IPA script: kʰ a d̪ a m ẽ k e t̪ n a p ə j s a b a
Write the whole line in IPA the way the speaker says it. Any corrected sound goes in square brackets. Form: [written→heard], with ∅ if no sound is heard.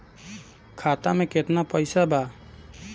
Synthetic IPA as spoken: kʰ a [d̪→t̪] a m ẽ k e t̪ n a p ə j s a b a